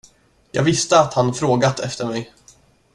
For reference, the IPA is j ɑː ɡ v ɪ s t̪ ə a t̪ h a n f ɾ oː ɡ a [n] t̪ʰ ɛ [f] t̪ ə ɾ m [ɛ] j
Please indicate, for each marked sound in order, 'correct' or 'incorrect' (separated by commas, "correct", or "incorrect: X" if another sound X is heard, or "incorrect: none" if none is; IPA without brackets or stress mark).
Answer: incorrect: none, correct, correct